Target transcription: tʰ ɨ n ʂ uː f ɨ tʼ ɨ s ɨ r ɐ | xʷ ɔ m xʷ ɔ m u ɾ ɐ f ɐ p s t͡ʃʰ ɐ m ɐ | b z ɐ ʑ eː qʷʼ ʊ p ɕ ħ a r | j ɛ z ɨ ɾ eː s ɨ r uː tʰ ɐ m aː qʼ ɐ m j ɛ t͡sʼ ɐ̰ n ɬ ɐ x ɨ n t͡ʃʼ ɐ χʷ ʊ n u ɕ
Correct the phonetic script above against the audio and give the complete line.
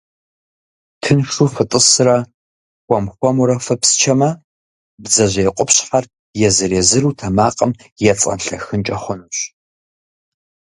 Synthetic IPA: tʰ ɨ n ʂ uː f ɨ tʼ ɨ s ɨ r ɐ | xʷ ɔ m xʷ ɔ m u ɾ ɐ f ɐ p s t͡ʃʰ ɐ m ɐ | b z ɐ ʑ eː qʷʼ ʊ p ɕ ħ a r | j ɛ z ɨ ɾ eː z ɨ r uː tʰ ɐ m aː qʼ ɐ m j ɛ t͡sʼ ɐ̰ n ɬ ɐ x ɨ n t͡ʃʼ ɐ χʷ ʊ n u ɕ